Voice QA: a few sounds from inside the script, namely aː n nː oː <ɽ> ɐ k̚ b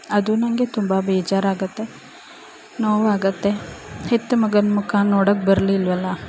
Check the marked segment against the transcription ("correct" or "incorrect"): correct